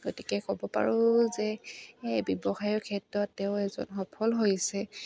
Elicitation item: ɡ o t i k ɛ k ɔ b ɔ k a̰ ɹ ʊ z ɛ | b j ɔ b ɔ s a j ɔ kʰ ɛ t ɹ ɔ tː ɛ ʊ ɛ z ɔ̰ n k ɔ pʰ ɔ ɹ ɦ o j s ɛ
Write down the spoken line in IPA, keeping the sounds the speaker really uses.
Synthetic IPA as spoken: ɡ o t i k ɛ k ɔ b ɔ p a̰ ɹ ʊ z ɛ | b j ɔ b ɔ x a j ɔ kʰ ɛ t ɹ ɔ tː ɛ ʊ ɛ z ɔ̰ n x ɔ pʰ ɔ l ɦ o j s ɛ